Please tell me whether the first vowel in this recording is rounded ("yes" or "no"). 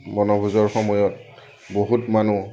yes